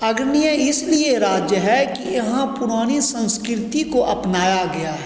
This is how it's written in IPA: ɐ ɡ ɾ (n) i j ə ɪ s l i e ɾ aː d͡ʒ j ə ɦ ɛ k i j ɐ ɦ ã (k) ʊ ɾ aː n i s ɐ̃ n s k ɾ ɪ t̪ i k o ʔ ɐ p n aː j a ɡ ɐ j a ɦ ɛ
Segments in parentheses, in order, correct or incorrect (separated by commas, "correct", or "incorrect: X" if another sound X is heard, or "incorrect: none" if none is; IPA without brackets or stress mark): correct, incorrect: p